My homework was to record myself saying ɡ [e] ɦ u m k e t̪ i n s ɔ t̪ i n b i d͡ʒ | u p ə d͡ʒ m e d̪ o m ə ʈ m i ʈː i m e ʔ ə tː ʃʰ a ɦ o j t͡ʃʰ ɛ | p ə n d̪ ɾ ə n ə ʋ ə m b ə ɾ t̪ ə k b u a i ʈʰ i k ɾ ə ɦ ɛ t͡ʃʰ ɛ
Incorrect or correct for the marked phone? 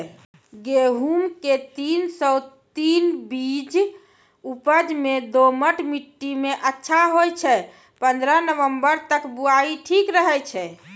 correct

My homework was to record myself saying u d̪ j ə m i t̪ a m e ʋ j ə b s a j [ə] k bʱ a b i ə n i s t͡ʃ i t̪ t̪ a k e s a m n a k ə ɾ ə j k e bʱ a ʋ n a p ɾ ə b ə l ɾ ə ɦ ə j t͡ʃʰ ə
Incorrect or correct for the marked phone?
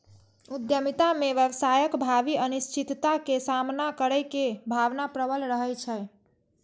correct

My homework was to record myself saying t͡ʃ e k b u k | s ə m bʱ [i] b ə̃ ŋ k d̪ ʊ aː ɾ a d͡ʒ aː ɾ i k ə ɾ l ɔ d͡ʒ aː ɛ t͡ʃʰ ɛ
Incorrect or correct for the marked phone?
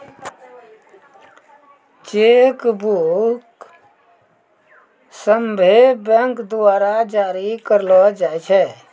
incorrect: e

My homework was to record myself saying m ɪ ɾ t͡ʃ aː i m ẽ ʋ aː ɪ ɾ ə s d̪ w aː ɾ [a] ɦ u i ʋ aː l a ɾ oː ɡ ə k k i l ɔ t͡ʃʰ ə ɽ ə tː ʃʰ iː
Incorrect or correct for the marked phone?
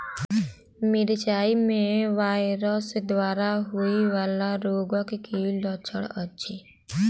correct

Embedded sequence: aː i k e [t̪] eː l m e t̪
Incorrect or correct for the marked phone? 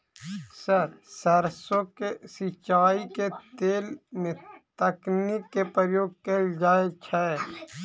correct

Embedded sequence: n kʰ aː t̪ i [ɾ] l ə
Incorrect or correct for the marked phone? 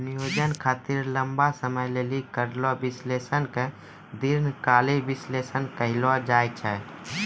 correct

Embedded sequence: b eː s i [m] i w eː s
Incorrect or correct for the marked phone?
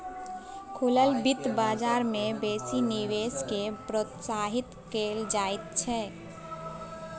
incorrect: n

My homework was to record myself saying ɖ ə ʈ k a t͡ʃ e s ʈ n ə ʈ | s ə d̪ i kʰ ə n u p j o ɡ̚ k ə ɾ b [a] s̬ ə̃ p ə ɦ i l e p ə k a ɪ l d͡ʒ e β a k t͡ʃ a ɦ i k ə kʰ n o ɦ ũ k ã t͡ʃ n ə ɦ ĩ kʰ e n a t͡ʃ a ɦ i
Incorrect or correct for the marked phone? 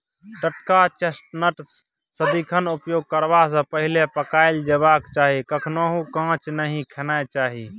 correct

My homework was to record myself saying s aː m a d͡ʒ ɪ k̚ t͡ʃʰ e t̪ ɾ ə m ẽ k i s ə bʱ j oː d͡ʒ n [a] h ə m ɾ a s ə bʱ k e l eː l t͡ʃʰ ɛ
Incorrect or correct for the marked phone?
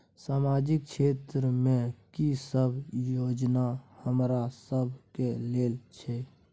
correct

